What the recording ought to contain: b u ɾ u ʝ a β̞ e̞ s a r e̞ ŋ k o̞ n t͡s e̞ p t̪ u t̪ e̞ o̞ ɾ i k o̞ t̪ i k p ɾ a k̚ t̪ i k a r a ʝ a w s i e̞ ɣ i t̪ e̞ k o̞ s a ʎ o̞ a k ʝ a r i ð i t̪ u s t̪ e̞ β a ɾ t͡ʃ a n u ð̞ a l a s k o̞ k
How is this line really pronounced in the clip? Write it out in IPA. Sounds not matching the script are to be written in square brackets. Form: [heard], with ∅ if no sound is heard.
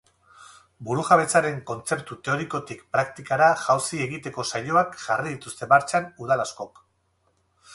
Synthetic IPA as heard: b u ɾ u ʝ a β̞ e̞ [t͡s] a [ɾ] e̞ ŋ k o̞ n t͡s e̞ p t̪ u t̪ e̞ o̞ ɾ i k o̞ t̪ i k p ɾ a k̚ t̪ i k a [ɾ] a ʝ a w s i e̞ ɣ i t̪ e̞ k o̞ s a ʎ o̞ a k ʝ a r i ð i t̪ u s t̪ e̞ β a ɾ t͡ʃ a n u ð̞ a l a s k o̞ k